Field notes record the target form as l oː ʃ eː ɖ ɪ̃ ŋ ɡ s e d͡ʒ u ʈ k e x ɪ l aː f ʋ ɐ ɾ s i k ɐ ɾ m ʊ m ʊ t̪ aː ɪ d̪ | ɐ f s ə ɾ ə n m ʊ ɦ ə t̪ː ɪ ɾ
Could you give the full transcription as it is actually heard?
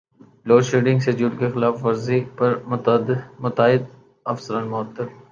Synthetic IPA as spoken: l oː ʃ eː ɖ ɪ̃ ŋ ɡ s e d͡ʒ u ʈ k e x ɪ l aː f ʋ ɐ ɾ z i p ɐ ɾ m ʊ m ʊ t̪ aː ɪ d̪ | ɐ f s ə ɾ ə n m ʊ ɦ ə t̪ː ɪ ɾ